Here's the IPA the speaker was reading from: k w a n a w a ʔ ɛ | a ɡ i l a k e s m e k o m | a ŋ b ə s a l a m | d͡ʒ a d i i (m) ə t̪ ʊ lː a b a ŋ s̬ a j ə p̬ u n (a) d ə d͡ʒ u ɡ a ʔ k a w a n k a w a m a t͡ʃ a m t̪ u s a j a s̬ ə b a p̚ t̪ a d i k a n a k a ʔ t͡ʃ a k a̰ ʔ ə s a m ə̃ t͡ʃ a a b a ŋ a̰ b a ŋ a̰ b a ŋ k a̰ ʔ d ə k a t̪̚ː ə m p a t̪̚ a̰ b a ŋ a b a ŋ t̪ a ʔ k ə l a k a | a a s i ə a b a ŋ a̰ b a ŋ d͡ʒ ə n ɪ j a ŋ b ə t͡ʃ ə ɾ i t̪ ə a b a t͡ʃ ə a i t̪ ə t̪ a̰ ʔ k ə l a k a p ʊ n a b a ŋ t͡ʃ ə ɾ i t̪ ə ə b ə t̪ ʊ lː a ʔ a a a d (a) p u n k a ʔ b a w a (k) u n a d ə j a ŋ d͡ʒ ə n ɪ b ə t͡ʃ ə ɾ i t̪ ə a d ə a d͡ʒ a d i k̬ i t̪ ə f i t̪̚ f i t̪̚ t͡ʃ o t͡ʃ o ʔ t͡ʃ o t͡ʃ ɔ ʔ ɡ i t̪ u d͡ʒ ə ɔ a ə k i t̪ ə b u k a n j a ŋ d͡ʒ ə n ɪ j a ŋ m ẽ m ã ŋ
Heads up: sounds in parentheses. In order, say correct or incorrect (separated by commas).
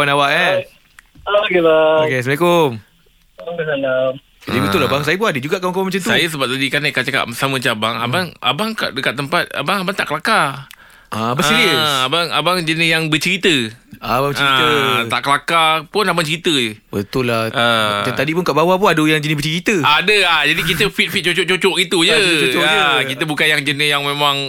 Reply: incorrect, correct, incorrect, incorrect